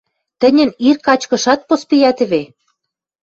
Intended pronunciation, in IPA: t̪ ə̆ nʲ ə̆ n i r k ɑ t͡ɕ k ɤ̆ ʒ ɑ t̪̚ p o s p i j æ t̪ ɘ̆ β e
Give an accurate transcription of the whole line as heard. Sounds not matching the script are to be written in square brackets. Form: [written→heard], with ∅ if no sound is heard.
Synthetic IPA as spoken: t̪ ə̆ nʲ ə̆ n i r k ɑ t͡ɕ k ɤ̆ [ʒ→ʃ] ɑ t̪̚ p o s p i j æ t̪ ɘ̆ β e